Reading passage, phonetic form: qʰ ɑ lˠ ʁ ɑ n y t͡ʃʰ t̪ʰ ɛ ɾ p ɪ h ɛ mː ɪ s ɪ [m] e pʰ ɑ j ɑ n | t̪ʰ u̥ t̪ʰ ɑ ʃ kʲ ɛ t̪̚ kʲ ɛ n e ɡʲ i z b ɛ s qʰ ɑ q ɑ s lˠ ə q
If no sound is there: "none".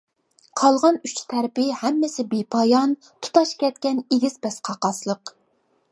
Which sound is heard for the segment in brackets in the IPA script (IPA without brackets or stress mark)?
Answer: b